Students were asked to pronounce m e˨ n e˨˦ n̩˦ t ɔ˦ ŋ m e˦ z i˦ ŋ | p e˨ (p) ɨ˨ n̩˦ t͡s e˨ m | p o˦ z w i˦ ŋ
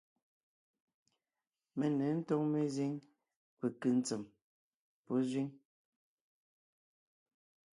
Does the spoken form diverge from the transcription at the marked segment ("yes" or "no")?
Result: yes